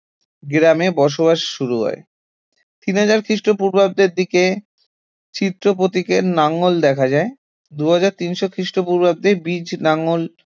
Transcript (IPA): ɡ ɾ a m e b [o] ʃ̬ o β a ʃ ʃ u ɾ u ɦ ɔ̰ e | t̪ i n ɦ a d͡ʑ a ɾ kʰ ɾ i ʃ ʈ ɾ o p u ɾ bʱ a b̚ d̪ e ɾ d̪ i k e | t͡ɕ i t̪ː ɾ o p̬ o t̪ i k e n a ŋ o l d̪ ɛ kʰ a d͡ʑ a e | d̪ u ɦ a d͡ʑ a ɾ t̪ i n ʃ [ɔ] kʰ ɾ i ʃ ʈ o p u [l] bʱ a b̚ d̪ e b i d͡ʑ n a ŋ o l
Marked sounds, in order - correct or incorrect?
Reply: incorrect: ɔ, incorrect: o, incorrect: ɾ

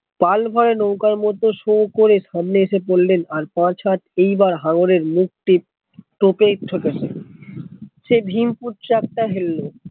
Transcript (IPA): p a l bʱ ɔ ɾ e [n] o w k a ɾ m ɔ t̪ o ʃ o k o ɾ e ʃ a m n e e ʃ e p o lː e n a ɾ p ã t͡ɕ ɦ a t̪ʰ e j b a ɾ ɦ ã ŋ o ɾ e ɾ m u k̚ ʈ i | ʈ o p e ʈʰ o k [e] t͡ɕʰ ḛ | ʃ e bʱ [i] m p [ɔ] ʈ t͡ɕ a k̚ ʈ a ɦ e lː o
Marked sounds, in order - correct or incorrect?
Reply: correct, correct, correct, incorrect: u

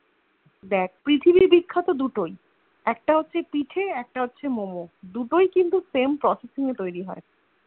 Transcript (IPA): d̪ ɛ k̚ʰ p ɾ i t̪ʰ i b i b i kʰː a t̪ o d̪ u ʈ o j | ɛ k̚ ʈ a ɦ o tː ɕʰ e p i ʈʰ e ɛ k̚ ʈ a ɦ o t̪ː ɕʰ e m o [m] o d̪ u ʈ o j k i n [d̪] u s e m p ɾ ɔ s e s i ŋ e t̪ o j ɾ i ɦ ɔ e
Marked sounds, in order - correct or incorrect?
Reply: correct, incorrect: t̪

